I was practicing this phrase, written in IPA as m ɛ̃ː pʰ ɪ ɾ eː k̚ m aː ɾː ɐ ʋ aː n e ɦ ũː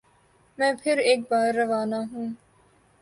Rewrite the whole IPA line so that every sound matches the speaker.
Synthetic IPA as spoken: m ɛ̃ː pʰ ɪ ɾ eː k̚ b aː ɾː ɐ ʋ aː n a ɦ ũː